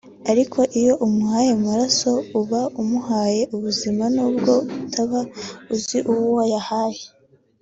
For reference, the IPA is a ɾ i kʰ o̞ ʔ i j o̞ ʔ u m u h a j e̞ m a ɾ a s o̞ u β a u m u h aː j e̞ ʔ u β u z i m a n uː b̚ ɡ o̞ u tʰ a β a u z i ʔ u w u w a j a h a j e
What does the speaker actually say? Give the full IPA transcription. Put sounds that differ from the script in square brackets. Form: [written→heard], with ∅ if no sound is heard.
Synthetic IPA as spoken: a ɾ i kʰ o̞ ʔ i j o̞ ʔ u m u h a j e̞ m a ɾ a s o̞ u β a u m u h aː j e̞ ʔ u β u z i m a n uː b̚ ɡ o̞ u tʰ a β a u z i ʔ u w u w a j a h a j e